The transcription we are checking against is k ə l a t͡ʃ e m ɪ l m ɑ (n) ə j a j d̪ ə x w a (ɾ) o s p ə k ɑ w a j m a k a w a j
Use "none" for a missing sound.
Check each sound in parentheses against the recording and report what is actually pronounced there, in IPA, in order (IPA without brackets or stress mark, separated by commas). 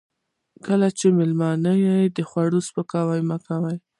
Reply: n, ɽ